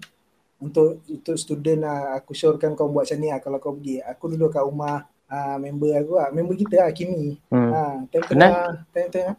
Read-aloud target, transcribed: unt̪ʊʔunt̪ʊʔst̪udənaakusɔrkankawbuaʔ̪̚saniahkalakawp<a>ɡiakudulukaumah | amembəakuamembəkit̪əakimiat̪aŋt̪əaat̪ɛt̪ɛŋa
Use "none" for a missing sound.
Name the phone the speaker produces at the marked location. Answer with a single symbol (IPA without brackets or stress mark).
ə